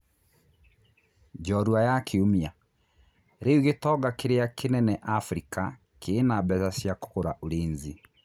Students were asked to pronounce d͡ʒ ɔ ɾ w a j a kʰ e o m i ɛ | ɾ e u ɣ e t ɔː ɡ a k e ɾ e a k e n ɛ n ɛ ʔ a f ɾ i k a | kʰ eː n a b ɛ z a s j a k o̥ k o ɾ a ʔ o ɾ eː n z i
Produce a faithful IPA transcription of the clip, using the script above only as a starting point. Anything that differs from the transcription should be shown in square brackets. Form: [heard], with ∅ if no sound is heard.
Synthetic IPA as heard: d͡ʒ ɔ ɾ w a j a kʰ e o m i [a] | ɾ e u ɣ e t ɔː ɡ a k e ɾ e a k e n ɛ n ɛ ʔ a f ɾ i k a | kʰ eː n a b ɛ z a s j a k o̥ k o ɾ a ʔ o ɾ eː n z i